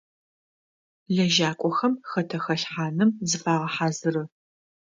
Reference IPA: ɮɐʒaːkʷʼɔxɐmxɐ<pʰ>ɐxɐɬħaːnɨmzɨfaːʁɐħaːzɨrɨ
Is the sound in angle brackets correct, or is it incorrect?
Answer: incorrect